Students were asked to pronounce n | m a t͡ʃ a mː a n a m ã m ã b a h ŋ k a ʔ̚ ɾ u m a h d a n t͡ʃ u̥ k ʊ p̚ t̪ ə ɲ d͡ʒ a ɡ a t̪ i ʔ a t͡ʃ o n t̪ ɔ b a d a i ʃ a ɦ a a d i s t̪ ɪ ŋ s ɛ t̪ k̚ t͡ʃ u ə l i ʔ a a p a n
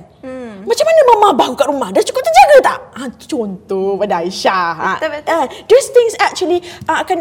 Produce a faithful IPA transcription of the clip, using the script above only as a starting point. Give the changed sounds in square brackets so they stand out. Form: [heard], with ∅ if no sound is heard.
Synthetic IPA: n | m a t͡ʃ a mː a n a m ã m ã b a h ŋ k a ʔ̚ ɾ u m a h d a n t͡ʃ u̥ k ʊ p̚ t̪ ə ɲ d͡ʒ a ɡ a t̪ [a] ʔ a t͡ʃ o n t̪ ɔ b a d a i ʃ a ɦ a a d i s t̪ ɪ ŋ s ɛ [∅] k̚ t͡ʃ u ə l i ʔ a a [k] a n